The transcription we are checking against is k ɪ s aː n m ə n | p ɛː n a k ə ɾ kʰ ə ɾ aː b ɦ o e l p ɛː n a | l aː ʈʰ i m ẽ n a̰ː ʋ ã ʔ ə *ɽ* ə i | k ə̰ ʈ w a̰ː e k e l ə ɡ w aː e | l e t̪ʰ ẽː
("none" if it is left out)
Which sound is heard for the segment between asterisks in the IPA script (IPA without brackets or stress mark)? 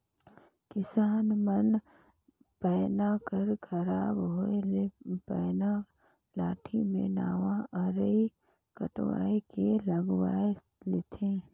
ɾ